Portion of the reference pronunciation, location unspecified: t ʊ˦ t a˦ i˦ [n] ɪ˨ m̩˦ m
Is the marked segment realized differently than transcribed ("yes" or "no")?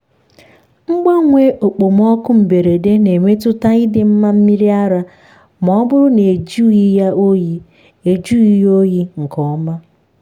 yes